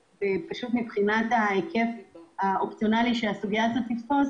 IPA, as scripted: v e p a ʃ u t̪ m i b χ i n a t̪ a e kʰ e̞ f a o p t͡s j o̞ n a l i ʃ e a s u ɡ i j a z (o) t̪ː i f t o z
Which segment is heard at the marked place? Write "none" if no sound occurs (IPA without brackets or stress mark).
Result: o